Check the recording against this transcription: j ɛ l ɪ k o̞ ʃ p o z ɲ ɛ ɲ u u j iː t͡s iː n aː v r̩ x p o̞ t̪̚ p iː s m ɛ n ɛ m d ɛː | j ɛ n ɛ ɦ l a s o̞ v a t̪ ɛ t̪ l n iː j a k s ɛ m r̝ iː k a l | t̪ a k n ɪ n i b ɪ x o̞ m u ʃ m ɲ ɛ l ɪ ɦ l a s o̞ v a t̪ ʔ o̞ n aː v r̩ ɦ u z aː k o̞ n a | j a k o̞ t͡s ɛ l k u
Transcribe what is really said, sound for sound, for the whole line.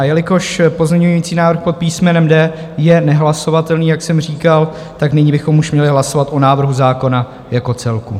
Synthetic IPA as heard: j ɛ l ɪ k o̞ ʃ p o z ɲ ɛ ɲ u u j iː t͡s iː n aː v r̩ x p o̞ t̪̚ p iː s m ɛ n ɛ m d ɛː | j ɛ n ɛ ɦ l a s o̞ v a t̪ ɛ l n iː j a k s ɛ m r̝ iː k a l | t̪ a k n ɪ ɲ i b ɪ x o̞ m u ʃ m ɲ ɛ l ɪ ɦ l a s o̞ v a t̪ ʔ o̞ n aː v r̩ ɦ u z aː k o̞ n a | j a k o̞ t͡s ɛ l k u

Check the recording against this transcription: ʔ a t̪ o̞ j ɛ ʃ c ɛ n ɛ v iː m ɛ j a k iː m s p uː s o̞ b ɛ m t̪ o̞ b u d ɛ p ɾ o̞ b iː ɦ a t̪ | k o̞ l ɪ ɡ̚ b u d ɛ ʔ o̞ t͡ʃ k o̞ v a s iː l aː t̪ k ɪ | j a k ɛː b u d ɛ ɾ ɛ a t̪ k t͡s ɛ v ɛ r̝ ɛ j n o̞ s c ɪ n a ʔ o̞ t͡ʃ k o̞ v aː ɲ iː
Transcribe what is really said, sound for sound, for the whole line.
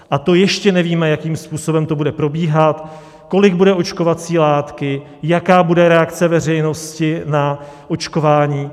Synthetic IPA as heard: ʔ a t̪ o̞ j ɛ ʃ c ɛ n ɛ v iː m ɛ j a k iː m s p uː s o̞ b ɛ m t̪ o̞ b u d ɛ p ɾ o̞ b iː ɦ a t̪ | k o̞ l ɪ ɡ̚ b u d ɛ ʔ o̞ t͡ʃ k o̞ v a t͡s iː l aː t̪ k ɪ | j a k aː b u d ɛ ɾ ɛ a k t͡s ɛ v ɛ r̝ ɛ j n o̞ s c ɪ n a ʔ o̞ t͡ʃ k o̞ v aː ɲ iː

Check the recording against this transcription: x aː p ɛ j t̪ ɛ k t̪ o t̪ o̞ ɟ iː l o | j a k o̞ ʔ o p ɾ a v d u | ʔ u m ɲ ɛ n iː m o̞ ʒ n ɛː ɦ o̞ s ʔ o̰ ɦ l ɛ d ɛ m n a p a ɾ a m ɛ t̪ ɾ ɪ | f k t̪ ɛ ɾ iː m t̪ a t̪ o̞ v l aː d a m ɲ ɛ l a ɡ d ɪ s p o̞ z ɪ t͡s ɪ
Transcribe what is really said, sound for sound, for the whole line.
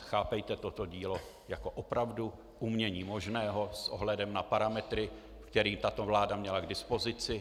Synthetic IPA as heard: x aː p ɛ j t̪ ɛ t̪ o t̪ o̞ ɟ iː l o | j a k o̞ ʔ o p ɾ a v d u | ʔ u m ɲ ɛ ɲ iː m o̞ ʒ n ɛː ɦ o̞ s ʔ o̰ ɦ l ɛ d ɛ m n a p a ɾ a m ɛ t̪ ɾ ɪ | f k t̪ ɛ ɾ iː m t̪ a t̪ o̞ v l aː d a m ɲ ɛ l a ɡ d ɪ s p o̞ z ɪ t͡s ɪ

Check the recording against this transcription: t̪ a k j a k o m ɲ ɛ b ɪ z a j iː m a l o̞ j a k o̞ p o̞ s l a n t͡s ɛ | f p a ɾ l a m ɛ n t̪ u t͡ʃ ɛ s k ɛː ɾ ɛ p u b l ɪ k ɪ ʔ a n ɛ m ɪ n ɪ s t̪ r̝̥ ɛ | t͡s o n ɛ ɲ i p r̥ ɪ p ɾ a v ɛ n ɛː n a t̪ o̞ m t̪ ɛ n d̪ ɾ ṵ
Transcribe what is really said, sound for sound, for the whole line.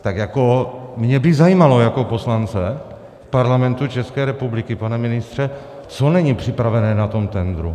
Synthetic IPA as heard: t̪ a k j a k o m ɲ ɛ b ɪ z a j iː m a l o̞ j a k o̞ p o̞ s l a n t͡s ɛ | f p a ɾ l a m ɛ n t̪ u t͡ʃ ɛ s k ɛː ɾ ɛ p u b l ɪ k ɪ p a n ɛ m ɪ n ɪ s t̪ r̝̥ ɛ | t͡s o n ɛ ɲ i p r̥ ɪ p ɾ a v ɛ n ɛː n a t̪ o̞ m t̪ ɛ n d̪ ɾ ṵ

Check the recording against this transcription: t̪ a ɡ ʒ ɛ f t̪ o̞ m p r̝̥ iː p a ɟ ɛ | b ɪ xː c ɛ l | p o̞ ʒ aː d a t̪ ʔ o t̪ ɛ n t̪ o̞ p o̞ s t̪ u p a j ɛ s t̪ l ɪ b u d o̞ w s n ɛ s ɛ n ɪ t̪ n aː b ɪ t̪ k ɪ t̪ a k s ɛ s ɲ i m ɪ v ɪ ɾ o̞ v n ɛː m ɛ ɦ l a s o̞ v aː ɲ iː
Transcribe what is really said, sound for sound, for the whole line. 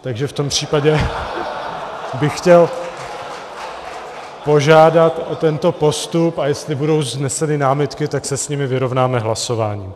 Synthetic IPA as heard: t̪ a ɡ ʒ ɛ f t̪ o̞ m p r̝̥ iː p a ɟ ɛ | b ɪ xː c ɛ l | p o̞ ʒ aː d a t̪ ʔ o t̪ ɛ n t̪ o̞ p o̞ s t̪ u p a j ɛ s t̪ l ɪ b u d o̞ w z n ɛ s ɛ n ɪ n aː m ɪ t̪ k ɪ t̪ a k s ɛ s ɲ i m ɪ v ɪ ɾ o̞ v n aː m ɛ ɦ l a s o̞ v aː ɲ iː

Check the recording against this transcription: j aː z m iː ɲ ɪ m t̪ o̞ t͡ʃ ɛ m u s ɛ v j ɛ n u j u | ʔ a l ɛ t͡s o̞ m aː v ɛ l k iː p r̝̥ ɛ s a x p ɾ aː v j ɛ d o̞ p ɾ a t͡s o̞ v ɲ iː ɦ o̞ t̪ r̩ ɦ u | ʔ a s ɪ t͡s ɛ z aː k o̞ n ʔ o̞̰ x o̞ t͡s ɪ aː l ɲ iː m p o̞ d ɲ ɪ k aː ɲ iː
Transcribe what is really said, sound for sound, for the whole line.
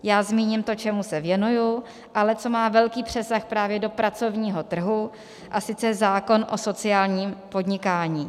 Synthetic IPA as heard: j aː z m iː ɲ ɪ m t̪ o̞ t͡ʃ ɛ m u s ɛ v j ɛ n u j u | ʔ a l ɛ t͡s o̞ m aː v ɛ l k iː p r̝̥ ɛ s a x p ɾ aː v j ɛ d o̞ p ɾ a t͡s o̞ v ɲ iː ɦ o̞ t̪ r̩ ɦ u | ʔ a s ɪ t͡s ɛ z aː k o̞ n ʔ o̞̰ s o̞ t͡s ɪ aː l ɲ iː m p o̞ d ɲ ɪ k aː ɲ iː

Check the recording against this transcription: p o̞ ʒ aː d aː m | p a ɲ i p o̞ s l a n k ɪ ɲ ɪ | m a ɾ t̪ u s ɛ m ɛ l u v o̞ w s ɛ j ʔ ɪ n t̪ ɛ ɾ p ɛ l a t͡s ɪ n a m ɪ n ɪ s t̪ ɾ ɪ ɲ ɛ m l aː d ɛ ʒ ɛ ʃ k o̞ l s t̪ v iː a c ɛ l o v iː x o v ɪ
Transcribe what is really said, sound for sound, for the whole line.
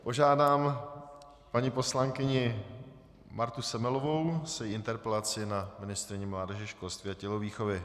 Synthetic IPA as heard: p o̞ ʒ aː d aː m | p a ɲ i p o̞ s l a ŋ k ɪ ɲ ɪ | m a ɾ t̪ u s ɛ m ɛ l o v o̞ w s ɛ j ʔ ɪ n t̪ ɛ ɾ p ɛ l a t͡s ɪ n a m ɪ n ɪ s t̪ ɾ ɪ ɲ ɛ m l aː d ɛ ʒ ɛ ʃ k o̞ l s t̪ v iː a c ɛ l o v iː x o v ɪ

